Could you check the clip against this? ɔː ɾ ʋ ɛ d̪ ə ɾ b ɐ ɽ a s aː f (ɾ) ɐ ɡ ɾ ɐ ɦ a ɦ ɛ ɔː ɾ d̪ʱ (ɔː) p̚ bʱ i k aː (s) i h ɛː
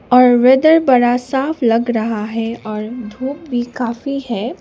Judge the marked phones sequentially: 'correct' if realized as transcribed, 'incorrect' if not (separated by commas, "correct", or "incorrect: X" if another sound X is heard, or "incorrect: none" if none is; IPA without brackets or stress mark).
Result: incorrect: l, incorrect: uː, incorrect: f